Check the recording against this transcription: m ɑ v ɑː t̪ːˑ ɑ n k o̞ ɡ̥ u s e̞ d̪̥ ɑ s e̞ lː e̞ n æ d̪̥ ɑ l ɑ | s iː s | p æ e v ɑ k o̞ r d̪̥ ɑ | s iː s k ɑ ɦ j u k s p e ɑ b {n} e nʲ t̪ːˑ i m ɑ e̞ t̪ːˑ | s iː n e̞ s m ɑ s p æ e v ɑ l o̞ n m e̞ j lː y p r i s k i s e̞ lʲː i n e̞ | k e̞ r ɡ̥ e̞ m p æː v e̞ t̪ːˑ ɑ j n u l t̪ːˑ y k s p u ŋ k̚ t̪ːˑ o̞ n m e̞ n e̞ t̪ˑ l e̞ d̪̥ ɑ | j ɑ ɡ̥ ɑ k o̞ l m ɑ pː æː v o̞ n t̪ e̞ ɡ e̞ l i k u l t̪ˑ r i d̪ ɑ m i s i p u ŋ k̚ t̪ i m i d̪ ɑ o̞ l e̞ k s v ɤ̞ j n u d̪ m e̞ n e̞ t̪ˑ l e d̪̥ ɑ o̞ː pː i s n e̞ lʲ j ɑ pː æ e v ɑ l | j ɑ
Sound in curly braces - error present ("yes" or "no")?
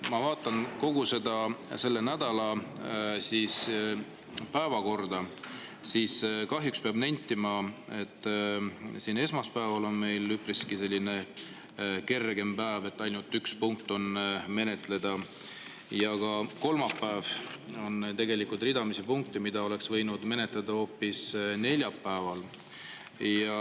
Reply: no